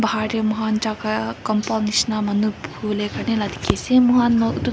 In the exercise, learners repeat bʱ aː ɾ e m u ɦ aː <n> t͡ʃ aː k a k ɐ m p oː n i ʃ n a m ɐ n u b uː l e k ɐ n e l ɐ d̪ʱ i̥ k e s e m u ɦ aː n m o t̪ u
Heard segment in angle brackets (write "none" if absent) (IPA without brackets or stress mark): n